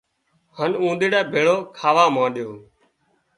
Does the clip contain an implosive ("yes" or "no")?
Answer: yes